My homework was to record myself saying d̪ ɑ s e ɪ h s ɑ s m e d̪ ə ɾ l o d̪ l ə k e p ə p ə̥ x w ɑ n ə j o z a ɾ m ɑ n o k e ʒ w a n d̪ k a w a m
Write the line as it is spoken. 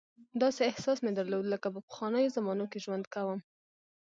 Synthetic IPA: d̪ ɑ s e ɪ h s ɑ s m e d̪ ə ɾ l o d̪ l ə k a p ə p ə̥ x w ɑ n ə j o z a m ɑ n o k e ʒ w a n d̪ k a w ə m